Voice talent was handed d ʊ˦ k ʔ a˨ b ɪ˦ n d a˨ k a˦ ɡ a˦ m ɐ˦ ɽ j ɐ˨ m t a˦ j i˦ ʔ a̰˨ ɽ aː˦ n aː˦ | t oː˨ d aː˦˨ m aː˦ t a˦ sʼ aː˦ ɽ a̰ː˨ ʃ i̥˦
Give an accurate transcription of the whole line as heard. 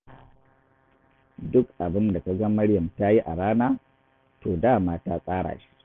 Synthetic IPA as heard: d ʊ˦ k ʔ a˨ b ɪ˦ n d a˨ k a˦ ɡ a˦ m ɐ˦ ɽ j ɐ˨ m t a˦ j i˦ ʔ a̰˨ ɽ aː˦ n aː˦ | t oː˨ d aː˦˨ m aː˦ t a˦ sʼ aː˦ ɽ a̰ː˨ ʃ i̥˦